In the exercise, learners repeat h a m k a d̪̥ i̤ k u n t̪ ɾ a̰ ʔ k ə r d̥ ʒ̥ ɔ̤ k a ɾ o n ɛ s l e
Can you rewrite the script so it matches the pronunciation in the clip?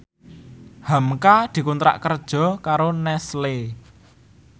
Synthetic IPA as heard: h a m k a d̪̥ i̤ k u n t̪ ɾ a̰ ʔ k ə r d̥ ʒ̥ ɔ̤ k a ɾ o n ɛ s l e